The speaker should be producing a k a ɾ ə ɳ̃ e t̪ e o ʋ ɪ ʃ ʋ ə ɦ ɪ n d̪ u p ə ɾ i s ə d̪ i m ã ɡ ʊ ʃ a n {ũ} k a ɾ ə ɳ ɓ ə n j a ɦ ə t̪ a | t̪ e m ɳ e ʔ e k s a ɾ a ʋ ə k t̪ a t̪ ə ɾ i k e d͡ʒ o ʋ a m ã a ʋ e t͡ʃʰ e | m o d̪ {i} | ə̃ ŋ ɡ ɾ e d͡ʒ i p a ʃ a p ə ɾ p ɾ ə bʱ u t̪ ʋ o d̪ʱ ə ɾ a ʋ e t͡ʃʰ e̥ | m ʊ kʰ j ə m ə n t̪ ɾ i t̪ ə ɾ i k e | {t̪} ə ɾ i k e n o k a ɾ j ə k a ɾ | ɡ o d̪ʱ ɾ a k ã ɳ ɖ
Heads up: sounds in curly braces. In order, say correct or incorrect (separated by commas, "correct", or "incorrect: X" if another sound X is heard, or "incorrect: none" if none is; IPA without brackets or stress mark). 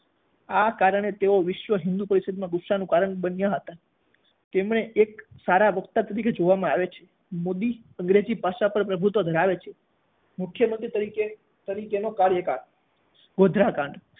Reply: correct, correct, correct